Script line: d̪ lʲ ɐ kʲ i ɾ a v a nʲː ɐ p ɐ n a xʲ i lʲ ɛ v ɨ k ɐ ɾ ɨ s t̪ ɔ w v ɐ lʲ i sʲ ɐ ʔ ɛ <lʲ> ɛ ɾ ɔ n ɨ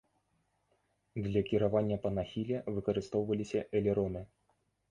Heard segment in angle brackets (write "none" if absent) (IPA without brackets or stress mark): lʲ